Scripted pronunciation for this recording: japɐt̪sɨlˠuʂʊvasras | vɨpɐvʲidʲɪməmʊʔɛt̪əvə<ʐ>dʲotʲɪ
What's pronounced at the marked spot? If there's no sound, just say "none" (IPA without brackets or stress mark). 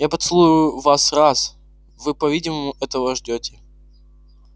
ʐ